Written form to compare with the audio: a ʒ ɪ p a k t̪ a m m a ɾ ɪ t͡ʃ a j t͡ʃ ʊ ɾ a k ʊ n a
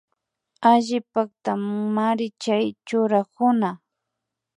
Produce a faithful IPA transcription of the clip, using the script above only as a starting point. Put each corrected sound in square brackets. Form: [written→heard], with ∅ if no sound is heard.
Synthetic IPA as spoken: a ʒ ɪ p a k t̪ a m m a ɾ ɪ t͡ʃ a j t͡ʃ ʊ ɾ a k ʊ n a